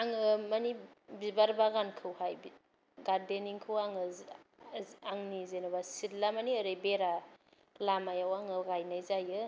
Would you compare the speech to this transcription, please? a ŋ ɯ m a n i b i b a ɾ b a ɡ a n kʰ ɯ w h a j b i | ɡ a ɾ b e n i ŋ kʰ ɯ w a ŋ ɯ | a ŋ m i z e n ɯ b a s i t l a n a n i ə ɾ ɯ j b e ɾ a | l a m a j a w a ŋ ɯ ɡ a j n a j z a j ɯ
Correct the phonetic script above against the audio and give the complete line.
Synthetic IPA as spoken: a ŋ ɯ m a n i b i b a ɾ b a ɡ a n kʰ ɯ w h a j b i | ɡ a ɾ d e n i ŋ kʰ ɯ w a ŋ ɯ | a ŋ n i z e n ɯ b a s i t l a m a n i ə ɾ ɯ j b e ɾ a | l a m a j a w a ŋ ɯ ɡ a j n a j z a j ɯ